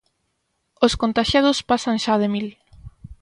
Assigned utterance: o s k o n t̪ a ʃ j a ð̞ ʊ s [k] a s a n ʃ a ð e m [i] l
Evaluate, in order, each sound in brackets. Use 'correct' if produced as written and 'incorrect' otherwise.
incorrect, correct

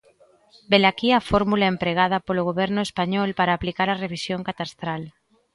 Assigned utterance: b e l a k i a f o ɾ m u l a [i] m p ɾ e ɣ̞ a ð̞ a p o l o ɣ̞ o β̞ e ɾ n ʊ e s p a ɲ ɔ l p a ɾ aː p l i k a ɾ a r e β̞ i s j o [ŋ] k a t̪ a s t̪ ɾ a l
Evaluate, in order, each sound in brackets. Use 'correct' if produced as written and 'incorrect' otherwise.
incorrect, correct

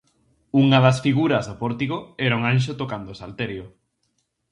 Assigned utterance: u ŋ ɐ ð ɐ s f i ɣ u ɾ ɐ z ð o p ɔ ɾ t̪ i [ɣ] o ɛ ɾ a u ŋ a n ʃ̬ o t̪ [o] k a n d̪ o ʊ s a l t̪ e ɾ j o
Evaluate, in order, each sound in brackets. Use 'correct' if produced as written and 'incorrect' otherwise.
correct, correct

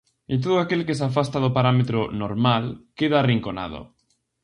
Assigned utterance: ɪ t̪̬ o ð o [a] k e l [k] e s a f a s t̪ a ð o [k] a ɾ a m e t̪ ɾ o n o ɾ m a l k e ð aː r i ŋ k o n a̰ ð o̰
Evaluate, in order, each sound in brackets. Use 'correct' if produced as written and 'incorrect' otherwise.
correct, correct, incorrect

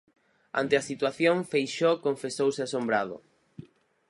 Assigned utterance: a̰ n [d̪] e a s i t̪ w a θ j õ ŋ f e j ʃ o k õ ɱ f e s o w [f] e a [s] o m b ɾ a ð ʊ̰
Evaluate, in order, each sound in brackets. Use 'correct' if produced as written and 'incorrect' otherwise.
incorrect, incorrect, correct

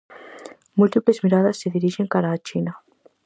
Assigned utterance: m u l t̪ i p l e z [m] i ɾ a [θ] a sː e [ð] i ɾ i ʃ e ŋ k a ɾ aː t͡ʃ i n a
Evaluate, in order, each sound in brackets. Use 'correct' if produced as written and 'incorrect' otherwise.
correct, incorrect, correct

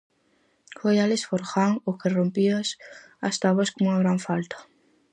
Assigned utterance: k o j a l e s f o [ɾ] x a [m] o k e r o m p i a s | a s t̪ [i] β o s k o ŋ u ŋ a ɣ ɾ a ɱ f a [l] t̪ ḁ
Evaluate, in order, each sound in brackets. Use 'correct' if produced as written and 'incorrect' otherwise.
correct, incorrect, incorrect, correct

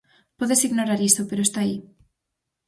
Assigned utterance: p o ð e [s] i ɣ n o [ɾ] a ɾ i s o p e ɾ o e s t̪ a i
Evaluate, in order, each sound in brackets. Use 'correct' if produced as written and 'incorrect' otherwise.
correct, correct

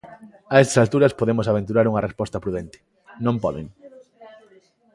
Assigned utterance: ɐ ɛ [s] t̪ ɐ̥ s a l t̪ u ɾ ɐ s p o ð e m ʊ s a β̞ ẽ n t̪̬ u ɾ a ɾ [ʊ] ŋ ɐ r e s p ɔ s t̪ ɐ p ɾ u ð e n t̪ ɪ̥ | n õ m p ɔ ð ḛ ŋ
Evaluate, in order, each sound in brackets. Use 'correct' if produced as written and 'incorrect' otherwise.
correct, incorrect

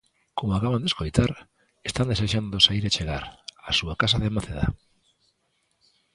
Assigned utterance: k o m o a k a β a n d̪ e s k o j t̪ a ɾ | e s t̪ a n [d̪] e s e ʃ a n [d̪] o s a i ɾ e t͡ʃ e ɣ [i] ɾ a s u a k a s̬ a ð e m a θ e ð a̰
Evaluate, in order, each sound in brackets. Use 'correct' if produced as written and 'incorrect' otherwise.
correct, correct, incorrect

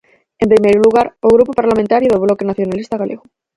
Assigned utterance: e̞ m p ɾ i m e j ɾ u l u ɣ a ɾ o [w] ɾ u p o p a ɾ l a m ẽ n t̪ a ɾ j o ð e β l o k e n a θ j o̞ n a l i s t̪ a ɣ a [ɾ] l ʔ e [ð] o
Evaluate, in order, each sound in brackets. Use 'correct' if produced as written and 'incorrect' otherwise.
incorrect, incorrect, incorrect

